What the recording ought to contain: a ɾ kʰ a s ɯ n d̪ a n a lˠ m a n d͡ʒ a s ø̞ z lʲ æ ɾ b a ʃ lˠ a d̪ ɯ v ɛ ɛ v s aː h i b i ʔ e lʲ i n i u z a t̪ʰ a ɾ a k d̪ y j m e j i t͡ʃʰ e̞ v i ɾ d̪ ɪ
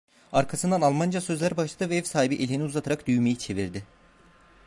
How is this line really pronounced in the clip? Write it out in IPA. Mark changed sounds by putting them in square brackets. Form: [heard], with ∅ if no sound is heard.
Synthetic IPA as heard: a ɾ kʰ a s ɯ n d̪ a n a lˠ m a n d͡ʒ a s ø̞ z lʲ æ ɾ b a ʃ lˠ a d̪ ɯ v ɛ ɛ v s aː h i b i ʔ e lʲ i n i u z a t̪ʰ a ɾ a k d̪ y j m e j i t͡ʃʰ e̞ v i ɾ d̪ ɪ